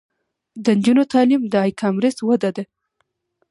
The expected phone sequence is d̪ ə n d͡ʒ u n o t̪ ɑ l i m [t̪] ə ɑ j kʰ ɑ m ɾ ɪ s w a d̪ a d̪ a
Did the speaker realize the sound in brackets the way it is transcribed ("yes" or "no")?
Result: no